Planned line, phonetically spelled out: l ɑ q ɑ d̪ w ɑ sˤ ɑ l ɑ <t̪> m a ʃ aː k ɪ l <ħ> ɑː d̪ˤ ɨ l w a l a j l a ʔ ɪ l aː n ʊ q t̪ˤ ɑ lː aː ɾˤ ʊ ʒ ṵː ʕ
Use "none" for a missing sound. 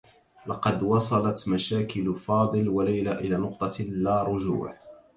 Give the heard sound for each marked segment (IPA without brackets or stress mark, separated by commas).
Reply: t̪, f